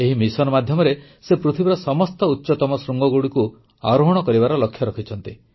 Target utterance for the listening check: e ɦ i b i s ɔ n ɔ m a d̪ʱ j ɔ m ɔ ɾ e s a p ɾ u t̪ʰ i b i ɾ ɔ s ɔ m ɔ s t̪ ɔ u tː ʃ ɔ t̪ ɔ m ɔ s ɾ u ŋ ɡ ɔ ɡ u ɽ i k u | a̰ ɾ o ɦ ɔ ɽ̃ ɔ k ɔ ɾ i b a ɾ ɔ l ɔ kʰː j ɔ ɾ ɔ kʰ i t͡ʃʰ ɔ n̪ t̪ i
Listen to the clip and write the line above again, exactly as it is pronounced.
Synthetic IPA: e ɦ i m i s ɔ n ɔ m a d̪ʱ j ɔ m ɔ ɾ e s e p ɾ u t̪ʰ i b i ɾ ɔ s ɔ m ɔ s t̪ ɔ u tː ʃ ɔ t̪ ɔ m ɔ s ɾ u ŋ ɡ ɔ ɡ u ɽ i k u | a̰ ɾ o ɦ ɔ ɽ̃ ɔ k ɔ ɾ i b a ɾ ɔ l ɔ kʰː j ɔ ɾ ɔ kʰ i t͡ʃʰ ɔ n̪ t̪ i